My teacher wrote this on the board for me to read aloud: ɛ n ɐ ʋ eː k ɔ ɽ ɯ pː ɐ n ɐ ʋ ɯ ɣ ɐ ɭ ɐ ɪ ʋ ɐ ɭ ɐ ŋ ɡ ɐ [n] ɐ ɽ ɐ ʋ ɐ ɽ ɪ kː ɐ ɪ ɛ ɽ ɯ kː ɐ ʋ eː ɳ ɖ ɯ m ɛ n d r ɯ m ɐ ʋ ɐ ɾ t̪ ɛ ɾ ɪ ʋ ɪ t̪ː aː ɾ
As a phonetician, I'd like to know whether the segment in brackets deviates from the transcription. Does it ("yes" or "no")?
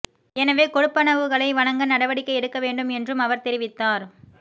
no